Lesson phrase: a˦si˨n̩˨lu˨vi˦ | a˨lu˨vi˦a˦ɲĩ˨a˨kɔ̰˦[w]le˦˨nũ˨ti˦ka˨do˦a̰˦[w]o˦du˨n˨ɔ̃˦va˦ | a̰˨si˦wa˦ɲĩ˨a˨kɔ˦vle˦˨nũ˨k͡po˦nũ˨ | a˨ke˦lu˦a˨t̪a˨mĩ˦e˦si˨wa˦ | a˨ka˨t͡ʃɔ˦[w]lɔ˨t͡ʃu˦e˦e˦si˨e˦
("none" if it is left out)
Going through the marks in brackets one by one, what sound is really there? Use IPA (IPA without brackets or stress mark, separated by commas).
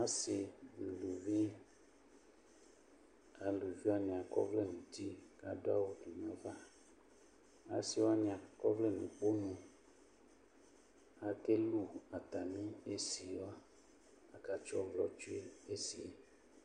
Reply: v, w, v